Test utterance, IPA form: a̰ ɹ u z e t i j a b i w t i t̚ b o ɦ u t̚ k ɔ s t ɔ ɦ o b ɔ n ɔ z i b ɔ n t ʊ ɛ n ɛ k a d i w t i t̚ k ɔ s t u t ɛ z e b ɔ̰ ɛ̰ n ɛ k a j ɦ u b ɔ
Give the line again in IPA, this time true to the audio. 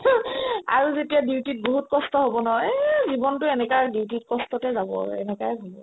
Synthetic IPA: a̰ ɹ u z e t i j a d i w t i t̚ b o ɦ u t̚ k ɔ s t ɔ ɦ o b ɔ n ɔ z i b ɔ n t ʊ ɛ n ɛ k a d i w t i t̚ k ɔ s t ɔ t ɛ z a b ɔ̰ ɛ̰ n ɛ k a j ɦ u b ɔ